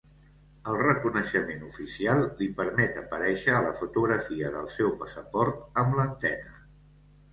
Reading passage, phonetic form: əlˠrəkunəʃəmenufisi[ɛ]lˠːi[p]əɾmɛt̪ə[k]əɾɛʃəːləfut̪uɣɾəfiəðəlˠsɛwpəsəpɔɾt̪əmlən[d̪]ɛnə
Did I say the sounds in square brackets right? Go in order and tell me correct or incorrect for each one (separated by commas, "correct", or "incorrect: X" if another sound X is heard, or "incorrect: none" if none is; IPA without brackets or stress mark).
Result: incorrect: a, correct, incorrect: p, incorrect: t̪